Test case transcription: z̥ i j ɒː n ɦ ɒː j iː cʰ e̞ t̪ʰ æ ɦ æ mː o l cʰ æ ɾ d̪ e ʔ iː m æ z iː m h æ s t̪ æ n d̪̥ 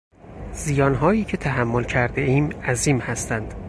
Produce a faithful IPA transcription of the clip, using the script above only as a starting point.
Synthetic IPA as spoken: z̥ i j ɒː n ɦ ɒː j iː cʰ e̞ t̪ʰ æ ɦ æ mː o l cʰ æ ɾ d̪ e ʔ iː m æ z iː m h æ s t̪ æ n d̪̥